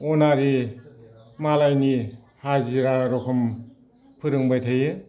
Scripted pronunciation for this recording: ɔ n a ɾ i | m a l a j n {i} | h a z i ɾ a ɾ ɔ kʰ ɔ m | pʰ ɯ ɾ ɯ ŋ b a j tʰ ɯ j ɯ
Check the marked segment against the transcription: correct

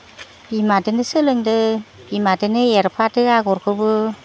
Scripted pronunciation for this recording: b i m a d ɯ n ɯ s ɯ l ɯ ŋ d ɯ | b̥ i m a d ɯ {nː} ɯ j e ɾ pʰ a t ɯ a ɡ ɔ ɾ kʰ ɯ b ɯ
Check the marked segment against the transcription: incorrect: n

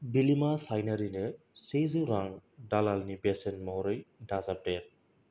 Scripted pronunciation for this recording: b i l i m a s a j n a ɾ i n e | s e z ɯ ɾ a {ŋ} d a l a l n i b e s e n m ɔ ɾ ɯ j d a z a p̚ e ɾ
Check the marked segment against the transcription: correct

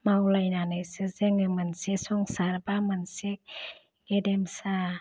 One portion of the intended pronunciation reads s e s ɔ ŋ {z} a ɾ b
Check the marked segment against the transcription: incorrect: s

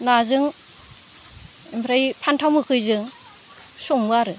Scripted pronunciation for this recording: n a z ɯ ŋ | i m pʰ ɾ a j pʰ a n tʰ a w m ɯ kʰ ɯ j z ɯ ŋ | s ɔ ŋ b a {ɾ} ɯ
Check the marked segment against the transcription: correct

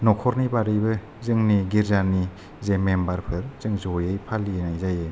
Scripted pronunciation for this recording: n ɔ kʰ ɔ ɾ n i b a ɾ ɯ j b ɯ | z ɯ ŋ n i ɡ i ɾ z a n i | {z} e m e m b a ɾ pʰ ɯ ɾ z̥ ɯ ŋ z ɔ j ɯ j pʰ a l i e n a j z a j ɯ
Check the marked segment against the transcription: correct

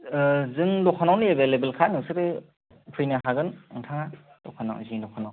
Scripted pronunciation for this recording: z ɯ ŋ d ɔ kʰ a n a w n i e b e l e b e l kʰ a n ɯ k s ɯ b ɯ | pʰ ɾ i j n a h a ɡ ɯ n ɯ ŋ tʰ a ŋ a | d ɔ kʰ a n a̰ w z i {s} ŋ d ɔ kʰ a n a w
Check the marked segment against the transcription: incorrect: none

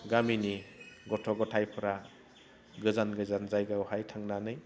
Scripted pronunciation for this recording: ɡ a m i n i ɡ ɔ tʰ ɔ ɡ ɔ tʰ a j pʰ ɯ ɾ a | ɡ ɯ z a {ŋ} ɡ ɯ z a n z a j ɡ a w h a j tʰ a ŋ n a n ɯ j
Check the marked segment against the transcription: incorrect: n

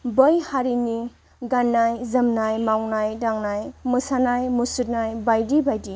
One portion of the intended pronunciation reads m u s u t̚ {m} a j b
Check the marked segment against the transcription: incorrect: n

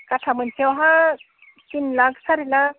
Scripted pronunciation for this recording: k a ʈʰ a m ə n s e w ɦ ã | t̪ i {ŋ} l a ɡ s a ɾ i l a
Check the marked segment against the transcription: incorrect: n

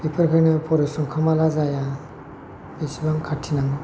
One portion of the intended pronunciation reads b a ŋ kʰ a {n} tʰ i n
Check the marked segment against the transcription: incorrect: none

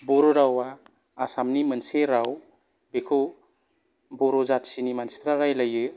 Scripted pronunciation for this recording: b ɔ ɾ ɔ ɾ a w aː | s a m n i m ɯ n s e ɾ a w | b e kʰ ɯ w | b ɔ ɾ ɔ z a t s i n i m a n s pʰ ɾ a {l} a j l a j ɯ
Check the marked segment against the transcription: incorrect: ɾ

